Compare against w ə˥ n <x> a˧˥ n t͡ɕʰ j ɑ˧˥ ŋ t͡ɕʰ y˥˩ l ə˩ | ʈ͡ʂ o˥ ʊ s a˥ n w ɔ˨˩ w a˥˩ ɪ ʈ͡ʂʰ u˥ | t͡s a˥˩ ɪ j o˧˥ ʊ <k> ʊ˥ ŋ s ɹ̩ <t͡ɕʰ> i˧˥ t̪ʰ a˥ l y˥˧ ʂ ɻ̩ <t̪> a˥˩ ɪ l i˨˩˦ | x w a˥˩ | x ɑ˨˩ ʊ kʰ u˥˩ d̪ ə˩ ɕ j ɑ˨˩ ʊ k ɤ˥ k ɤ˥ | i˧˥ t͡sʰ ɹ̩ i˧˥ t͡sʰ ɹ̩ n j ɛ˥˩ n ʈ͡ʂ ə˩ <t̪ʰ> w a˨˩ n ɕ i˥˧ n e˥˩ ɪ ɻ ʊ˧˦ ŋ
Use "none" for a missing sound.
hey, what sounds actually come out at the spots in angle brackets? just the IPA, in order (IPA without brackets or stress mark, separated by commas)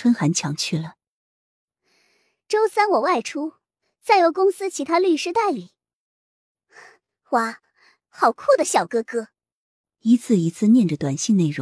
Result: x, k, t͡ɕʰ, t̪, t̪